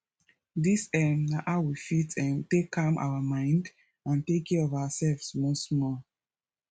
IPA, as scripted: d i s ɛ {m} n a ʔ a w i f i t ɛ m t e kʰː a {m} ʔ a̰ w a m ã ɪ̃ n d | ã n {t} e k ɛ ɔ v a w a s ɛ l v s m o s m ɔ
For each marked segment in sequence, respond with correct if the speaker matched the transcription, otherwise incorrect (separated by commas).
correct, correct, correct